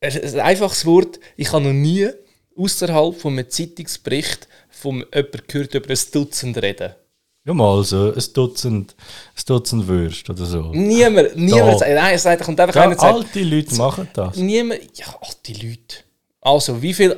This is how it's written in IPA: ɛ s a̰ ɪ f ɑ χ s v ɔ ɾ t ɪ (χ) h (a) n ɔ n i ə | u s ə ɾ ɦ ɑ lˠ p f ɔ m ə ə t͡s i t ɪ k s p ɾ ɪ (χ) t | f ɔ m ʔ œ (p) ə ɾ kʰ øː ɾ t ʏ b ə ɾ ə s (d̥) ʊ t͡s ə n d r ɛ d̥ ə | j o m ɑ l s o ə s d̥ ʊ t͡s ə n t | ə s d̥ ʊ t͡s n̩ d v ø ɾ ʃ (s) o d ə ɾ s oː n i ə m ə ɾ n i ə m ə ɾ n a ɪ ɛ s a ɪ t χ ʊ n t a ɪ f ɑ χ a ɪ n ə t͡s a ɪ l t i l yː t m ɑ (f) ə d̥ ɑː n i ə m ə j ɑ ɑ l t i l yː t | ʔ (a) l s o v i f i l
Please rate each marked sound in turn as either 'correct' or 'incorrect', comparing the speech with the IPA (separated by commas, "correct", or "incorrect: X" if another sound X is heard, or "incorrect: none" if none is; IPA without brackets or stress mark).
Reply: correct, incorrect: ɑ, correct, correct, correct, incorrect: t, incorrect: χ, incorrect: ɑ